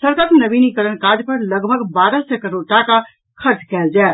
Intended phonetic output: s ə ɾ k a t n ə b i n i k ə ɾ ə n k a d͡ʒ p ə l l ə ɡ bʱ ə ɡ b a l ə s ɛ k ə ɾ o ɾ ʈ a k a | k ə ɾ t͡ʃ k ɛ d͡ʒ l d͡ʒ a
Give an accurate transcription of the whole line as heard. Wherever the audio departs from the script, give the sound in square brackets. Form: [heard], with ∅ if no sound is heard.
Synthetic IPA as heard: s ə ɾ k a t n ə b i n i k ə ɾ ə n k a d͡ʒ p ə [ɾ] l ə ɡ bʱ ə ɡ b a [ɾ] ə s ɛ k ə ɾ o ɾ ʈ a k a | [kʰ] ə ɾ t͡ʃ k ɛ [∅] l d͡ʒ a